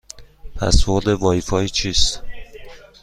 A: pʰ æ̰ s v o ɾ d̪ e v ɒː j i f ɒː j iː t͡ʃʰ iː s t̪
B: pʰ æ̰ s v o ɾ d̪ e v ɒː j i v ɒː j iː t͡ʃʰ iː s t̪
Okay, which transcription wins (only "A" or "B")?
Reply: A